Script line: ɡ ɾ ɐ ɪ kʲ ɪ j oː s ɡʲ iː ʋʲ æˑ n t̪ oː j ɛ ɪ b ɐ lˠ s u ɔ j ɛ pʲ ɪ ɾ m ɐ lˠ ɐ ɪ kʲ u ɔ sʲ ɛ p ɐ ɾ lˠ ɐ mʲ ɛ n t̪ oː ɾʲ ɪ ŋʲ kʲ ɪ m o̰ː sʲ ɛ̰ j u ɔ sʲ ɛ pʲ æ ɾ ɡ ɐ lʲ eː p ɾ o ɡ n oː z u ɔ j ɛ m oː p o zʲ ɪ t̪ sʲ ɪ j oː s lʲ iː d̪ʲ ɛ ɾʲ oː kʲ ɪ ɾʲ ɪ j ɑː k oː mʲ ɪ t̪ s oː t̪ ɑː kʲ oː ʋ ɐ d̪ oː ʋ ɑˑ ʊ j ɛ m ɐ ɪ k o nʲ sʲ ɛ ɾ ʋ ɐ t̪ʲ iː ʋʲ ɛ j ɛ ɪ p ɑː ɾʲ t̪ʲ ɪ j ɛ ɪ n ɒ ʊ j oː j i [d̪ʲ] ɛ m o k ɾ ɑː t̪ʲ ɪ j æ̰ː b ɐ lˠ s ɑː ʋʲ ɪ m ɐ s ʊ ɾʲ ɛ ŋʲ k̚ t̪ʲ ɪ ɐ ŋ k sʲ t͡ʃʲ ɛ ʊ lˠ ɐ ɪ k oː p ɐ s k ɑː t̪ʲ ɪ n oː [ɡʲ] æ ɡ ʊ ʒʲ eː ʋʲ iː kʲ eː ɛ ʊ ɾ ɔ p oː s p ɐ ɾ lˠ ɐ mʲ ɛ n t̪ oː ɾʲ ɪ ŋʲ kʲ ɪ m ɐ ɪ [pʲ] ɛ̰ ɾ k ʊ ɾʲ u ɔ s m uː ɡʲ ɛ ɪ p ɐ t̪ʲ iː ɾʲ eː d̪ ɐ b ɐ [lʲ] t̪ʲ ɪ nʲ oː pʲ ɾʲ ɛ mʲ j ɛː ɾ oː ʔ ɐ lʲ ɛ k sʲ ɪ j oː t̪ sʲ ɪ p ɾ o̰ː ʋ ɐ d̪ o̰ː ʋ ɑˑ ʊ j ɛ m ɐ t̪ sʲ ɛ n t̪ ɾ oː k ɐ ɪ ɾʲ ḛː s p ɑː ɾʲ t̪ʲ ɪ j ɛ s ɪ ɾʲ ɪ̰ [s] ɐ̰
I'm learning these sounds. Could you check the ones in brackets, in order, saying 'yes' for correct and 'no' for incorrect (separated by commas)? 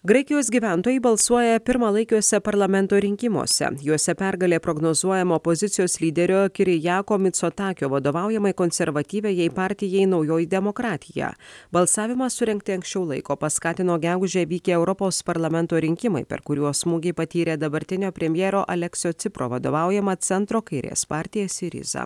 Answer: yes, yes, yes, no, no